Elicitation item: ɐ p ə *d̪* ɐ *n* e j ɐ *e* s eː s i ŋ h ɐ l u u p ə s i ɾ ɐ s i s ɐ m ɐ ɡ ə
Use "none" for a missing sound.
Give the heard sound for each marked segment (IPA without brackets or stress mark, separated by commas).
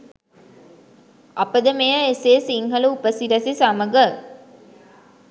d̪, m, e